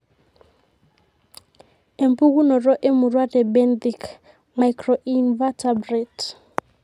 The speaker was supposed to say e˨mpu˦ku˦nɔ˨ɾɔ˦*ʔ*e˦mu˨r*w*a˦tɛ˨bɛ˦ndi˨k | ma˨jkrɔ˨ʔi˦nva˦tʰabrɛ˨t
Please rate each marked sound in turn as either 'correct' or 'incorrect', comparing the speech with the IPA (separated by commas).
correct, correct